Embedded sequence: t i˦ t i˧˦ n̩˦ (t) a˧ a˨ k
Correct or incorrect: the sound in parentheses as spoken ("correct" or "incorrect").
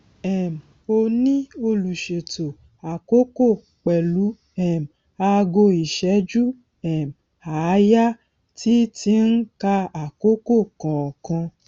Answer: incorrect